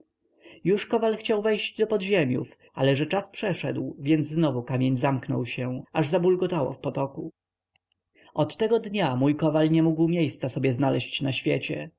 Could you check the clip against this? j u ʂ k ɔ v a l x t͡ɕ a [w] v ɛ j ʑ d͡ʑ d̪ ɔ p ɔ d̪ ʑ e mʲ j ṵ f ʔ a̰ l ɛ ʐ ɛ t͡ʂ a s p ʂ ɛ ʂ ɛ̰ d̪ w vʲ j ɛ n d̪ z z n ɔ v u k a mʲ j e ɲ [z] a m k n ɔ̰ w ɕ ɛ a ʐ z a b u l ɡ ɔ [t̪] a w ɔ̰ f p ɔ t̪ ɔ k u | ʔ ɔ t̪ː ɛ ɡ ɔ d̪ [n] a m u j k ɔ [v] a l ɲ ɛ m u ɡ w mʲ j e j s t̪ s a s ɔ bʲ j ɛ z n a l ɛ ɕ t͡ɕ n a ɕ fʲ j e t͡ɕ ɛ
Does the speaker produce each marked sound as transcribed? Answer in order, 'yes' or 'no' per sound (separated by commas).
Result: yes, yes, yes, no, yes